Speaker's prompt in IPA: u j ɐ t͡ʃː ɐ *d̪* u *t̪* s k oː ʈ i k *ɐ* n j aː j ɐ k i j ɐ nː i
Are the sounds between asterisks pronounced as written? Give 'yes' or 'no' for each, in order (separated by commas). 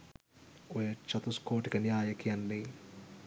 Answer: no, no, yes